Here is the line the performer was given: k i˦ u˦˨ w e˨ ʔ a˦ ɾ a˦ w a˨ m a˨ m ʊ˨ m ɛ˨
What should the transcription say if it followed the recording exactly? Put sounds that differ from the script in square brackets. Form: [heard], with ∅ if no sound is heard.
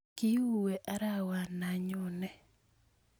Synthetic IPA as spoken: k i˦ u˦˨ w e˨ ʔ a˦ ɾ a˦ w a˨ [n] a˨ [ɲ] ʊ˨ [n] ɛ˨